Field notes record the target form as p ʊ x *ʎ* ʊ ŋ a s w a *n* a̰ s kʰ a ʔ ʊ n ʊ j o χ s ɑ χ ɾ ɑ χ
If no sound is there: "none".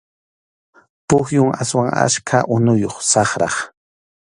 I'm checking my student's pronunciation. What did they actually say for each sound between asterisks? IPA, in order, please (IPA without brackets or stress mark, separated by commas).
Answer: j, ŋ